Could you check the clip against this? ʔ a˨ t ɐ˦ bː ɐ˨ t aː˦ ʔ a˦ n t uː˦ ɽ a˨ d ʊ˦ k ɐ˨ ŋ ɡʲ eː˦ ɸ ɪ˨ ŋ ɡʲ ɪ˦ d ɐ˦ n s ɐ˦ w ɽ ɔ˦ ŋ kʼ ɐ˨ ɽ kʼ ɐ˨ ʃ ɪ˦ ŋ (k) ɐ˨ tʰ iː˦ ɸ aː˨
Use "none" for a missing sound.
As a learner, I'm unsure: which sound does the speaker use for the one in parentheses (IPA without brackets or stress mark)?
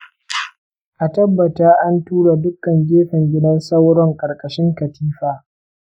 k